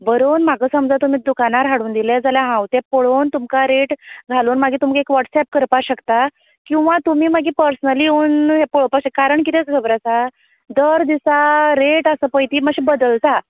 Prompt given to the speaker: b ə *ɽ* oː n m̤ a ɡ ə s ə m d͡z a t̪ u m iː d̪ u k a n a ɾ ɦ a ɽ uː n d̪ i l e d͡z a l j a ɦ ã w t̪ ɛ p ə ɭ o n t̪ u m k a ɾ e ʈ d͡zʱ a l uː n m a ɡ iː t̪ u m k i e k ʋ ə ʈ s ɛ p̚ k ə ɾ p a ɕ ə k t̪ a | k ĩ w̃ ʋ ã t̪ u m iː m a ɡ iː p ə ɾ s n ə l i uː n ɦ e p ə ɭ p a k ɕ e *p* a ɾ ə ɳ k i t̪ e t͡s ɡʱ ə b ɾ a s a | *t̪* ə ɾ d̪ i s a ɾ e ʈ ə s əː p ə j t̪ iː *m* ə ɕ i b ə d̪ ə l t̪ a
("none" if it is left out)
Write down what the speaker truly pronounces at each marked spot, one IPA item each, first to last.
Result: ɾ, k, d̪, m

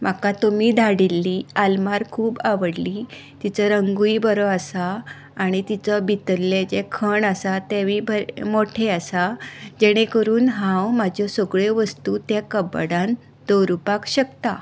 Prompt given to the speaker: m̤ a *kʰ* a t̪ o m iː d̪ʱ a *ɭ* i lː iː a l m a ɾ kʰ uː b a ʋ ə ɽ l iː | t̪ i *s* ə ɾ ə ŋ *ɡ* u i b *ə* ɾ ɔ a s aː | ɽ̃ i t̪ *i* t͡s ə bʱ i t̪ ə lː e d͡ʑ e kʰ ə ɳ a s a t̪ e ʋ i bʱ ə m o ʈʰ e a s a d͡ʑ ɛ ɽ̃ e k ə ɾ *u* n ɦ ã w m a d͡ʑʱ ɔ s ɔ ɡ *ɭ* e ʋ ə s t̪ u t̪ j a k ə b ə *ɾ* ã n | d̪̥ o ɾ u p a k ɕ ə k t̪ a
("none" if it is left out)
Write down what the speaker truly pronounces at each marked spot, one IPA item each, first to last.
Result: k, ɽ, t͡s, ɡ, ə, i, uː, ɭ, ɽ

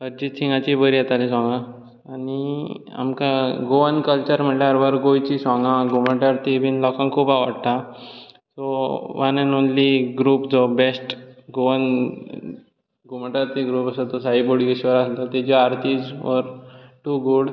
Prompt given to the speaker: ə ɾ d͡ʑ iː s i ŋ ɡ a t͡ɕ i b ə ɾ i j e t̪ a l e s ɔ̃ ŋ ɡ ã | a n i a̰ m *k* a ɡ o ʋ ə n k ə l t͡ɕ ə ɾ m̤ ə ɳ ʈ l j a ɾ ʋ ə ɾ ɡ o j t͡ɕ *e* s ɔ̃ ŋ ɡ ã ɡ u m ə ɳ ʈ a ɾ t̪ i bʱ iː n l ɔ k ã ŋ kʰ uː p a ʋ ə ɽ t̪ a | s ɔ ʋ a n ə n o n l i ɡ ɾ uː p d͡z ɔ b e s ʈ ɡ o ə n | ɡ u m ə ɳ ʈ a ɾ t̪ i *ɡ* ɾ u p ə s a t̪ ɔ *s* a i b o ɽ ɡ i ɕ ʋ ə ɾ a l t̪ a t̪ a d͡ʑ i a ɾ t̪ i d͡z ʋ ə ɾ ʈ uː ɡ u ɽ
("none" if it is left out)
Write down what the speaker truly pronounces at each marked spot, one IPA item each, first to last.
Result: k, i, ɡ, s

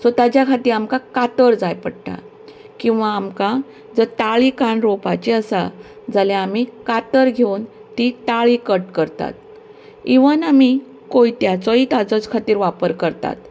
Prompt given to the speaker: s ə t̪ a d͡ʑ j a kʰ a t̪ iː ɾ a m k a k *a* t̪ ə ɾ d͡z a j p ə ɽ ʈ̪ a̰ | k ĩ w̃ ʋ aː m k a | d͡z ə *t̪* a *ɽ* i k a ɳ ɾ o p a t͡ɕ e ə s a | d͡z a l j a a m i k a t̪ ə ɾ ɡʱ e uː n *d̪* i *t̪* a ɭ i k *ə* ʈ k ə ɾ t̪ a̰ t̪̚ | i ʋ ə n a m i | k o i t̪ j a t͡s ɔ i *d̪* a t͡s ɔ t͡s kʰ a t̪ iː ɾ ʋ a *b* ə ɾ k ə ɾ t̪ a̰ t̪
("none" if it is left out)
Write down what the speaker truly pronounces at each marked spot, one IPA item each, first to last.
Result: a, t̪, ɭ, t̪, t̪, ə, t̪, p

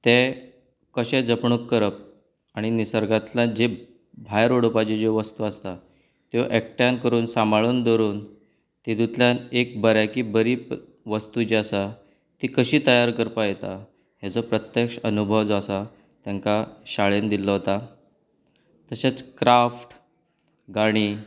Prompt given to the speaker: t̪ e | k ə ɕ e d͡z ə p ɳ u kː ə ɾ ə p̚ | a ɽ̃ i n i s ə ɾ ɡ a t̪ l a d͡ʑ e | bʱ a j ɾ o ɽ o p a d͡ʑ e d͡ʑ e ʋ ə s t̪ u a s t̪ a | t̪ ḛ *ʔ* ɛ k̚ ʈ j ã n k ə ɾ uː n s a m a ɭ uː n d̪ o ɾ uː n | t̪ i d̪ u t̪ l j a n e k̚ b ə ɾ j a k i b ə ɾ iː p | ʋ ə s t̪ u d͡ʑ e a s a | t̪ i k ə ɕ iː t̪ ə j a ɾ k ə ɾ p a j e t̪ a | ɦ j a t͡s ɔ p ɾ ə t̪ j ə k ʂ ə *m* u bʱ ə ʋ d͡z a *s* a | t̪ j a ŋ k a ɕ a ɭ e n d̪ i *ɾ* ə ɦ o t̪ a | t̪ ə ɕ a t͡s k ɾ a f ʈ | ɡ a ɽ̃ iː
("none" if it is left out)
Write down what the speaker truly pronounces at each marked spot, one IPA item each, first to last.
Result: ʔ, n, s, l

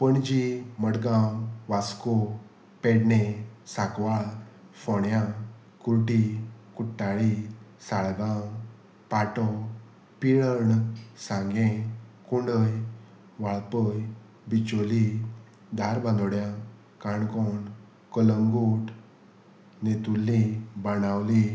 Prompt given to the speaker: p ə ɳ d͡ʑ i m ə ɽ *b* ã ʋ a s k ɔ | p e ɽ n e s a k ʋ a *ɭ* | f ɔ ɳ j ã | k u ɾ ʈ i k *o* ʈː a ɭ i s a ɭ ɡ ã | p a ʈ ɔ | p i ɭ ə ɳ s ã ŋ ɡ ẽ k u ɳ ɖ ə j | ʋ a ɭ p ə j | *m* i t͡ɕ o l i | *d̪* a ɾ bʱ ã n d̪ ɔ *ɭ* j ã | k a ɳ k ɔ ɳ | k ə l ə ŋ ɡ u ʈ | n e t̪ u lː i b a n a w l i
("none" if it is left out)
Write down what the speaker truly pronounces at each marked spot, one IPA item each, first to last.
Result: ɡ, ɭ, u, b, d̪, ɽ

